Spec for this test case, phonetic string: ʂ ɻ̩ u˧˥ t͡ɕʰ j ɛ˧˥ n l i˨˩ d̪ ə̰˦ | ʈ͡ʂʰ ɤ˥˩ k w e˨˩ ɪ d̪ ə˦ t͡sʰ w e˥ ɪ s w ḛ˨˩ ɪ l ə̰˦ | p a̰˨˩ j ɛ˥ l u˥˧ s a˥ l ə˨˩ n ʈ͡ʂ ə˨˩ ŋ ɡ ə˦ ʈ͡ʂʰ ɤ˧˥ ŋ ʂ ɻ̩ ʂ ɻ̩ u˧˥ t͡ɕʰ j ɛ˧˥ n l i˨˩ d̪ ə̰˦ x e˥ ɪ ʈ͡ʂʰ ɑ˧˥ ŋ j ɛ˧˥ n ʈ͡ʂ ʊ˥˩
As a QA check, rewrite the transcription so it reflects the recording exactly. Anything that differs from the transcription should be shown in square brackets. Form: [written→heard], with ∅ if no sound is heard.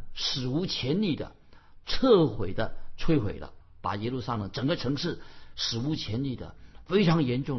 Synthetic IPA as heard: ʂ ɻ̩ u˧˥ t͡ɕʰ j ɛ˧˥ n l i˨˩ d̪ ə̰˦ | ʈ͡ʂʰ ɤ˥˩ [k→x] w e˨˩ ɪ d̪ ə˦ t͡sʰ w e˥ ɪ [s→x] w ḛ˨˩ ɪ l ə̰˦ | p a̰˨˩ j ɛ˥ l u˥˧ s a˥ l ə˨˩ [n→ŋ] ʈ͡ʂ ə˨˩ ŋ ɡ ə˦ ʈ͡ʂʰ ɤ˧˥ ŋ ʂ ɻ̩ ʂ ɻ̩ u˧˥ t͡ɕʰ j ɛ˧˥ n l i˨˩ d̪ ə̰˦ [x→f] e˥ ɪ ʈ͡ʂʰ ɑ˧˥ ŋ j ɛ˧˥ n ʈ͡ʂ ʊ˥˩